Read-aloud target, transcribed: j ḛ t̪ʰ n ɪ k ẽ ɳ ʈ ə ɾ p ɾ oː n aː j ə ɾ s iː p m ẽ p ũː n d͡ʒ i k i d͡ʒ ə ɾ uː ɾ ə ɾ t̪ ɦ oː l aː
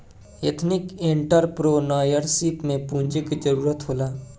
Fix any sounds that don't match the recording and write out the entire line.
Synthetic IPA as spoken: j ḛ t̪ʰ n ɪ k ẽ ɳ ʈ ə ɾ p ɾ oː n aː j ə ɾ s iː p m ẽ p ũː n d͡ʒ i k i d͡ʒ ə ɾ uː ɾ ə t̪ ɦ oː l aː